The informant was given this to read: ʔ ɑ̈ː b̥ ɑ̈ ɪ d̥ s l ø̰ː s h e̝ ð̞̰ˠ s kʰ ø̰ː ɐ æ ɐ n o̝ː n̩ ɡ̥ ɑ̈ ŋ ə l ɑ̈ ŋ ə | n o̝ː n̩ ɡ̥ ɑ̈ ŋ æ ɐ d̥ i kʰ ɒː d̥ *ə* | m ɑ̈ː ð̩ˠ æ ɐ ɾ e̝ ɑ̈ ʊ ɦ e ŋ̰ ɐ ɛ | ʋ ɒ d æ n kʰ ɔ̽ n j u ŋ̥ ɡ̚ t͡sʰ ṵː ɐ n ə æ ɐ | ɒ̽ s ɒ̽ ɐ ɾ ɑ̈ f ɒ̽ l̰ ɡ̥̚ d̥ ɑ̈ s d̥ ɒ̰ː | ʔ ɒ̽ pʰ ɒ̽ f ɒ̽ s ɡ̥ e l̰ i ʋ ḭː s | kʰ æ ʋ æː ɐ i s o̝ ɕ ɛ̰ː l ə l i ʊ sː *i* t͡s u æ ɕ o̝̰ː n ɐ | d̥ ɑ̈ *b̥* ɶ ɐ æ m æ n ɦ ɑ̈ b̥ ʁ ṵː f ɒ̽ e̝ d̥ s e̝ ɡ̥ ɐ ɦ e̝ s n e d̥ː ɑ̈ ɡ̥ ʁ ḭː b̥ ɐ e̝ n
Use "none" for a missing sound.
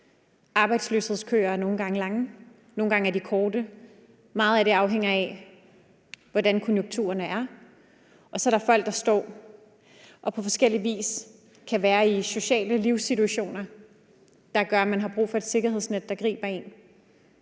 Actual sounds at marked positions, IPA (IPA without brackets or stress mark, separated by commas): ə, i, ɡ̥